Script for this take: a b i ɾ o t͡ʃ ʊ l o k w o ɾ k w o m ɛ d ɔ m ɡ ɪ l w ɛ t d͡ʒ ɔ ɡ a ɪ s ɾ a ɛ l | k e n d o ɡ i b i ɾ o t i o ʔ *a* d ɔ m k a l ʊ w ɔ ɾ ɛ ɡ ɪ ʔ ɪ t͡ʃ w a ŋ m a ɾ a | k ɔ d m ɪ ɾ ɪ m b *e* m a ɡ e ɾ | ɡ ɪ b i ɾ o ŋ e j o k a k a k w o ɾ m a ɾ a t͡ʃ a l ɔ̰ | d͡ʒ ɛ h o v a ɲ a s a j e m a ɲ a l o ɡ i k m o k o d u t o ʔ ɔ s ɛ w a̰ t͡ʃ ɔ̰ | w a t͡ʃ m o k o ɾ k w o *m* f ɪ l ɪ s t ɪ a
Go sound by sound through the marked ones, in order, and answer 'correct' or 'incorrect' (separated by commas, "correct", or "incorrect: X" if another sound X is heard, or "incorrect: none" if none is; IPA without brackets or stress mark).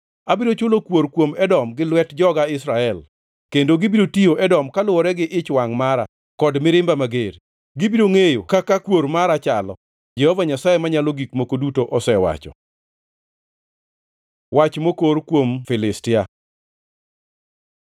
incorrect: ɛ, incorrect: a, correct